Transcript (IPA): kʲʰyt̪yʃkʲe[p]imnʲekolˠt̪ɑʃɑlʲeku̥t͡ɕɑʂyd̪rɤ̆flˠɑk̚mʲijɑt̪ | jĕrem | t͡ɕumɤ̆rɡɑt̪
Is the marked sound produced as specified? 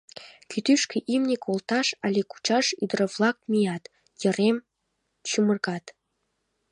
no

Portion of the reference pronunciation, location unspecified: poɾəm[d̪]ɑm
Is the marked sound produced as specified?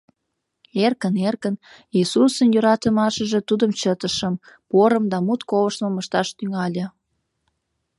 yes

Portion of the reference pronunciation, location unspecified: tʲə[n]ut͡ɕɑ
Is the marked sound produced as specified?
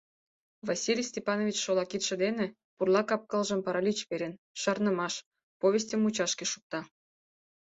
no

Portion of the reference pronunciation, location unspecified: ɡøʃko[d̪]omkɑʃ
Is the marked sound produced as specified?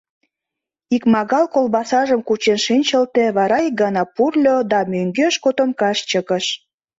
no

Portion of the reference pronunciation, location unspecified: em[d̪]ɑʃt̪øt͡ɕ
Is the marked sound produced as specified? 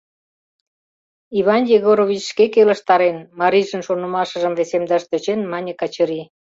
yes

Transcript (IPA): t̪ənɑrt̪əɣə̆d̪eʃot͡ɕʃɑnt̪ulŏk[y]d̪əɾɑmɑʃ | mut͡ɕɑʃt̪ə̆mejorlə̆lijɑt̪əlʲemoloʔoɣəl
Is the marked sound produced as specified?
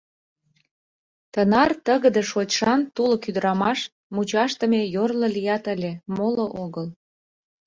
yes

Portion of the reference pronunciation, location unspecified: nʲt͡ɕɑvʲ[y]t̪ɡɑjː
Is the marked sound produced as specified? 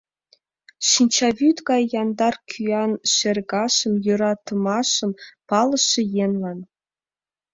yes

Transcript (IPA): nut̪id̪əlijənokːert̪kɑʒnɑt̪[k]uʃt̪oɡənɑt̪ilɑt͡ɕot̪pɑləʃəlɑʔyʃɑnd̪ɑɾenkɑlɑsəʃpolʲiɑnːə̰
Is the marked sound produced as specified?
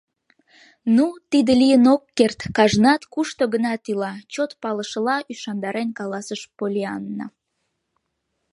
yes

